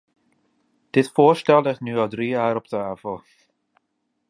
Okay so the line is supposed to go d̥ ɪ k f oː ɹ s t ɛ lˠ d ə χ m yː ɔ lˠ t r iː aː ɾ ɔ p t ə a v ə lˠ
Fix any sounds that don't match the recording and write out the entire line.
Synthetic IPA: d̥ ɪ t f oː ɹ s t ɛ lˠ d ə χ n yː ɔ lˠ d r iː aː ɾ ɔ p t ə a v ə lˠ